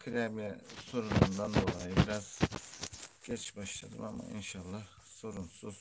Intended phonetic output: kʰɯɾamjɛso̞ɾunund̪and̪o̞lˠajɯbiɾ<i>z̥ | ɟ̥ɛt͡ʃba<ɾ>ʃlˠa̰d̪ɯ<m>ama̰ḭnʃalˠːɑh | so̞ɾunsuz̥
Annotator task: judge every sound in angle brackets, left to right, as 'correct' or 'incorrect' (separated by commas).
incorrect, incorrect, correct